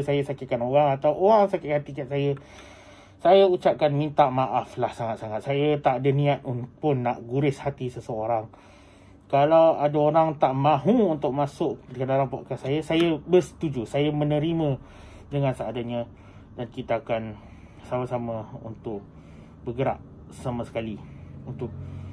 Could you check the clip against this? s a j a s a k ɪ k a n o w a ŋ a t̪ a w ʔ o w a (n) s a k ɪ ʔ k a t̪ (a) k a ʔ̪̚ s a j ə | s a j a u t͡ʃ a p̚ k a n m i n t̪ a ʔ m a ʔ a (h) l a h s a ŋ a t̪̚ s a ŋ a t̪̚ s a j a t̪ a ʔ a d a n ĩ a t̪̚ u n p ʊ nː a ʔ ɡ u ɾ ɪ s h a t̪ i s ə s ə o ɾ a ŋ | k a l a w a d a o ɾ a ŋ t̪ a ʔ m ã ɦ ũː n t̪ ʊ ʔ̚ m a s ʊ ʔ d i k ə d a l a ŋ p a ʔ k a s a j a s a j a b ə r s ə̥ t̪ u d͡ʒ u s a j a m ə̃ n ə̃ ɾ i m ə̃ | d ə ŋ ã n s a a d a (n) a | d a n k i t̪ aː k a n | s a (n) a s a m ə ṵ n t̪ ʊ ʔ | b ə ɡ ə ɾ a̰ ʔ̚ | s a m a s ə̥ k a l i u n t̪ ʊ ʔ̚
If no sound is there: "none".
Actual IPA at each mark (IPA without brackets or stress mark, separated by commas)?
ŋ, i, f, ɲ, m